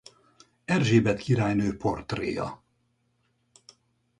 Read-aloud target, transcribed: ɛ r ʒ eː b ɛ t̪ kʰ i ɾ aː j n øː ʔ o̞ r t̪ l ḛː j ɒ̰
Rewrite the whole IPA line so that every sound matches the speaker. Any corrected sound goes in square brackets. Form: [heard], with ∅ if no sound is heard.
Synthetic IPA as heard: ɛ r ʒ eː b ɛ t̪ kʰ i ɾ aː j n øː [p] o̞ r t̪ [r] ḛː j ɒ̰